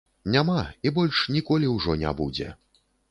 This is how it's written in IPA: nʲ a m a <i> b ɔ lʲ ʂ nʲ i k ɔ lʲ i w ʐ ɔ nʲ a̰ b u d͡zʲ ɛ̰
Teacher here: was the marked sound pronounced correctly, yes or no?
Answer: yes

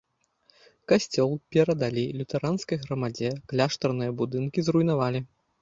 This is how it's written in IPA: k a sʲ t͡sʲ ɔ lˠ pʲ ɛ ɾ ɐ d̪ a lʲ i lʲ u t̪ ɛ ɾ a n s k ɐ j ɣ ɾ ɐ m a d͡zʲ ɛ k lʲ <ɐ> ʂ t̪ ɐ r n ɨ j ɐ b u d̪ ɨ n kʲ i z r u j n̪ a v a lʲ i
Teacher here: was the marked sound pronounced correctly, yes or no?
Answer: no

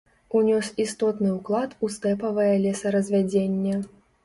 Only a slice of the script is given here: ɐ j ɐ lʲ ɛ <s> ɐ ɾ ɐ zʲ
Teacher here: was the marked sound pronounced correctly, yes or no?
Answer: yes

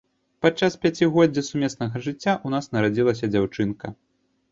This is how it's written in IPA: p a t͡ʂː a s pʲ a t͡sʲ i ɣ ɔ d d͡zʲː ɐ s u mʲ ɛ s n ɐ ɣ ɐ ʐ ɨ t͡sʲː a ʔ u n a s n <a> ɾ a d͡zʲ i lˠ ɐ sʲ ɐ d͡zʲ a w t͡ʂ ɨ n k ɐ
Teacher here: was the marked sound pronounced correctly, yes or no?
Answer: no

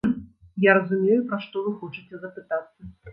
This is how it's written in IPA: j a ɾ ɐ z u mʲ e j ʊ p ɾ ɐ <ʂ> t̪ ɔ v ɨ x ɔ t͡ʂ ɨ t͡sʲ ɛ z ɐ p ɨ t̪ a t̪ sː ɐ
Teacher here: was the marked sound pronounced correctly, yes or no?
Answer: yes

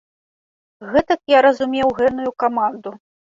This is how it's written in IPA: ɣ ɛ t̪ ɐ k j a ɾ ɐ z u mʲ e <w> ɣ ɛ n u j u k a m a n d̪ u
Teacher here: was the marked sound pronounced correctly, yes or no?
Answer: yes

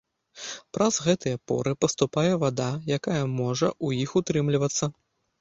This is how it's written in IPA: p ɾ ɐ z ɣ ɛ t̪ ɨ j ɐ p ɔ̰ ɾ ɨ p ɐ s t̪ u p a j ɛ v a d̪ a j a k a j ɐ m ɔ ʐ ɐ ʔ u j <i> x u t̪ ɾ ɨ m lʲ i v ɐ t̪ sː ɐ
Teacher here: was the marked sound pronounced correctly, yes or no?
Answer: yes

